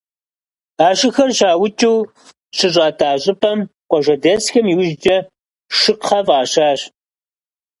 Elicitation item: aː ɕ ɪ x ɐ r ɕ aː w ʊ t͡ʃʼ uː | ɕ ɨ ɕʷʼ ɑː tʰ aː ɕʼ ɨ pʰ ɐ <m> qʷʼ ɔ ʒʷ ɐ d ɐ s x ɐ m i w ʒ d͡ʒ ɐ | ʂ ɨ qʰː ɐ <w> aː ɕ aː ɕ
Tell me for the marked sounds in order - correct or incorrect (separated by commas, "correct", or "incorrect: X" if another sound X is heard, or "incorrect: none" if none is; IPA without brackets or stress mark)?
correct, incorrect: v